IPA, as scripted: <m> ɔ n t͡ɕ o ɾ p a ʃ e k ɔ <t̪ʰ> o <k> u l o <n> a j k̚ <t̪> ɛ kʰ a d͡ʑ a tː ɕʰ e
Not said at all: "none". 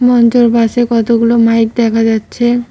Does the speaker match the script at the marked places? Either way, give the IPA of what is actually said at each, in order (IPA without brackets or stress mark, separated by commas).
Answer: m, t̪, ɡ, m, d̪